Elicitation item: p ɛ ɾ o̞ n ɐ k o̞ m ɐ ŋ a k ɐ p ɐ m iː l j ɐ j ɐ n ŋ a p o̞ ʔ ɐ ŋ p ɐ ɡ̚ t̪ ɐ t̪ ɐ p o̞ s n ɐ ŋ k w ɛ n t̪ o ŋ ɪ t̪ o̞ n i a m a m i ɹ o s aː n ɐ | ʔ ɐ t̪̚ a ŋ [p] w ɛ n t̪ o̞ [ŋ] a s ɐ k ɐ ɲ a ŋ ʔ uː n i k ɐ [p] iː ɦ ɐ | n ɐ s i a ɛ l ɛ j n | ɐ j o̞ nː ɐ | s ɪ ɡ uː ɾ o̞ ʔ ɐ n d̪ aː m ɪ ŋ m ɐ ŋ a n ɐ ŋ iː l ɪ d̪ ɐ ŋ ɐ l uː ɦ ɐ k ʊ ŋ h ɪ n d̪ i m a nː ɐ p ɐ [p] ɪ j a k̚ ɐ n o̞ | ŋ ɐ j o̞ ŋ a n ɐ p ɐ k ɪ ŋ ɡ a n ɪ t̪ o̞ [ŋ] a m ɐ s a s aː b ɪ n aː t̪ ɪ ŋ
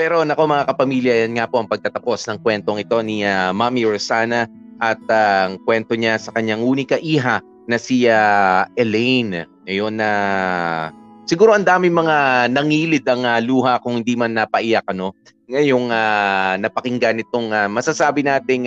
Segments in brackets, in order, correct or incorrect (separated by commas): incorrect, incorrect, incorrect, incorrect, correct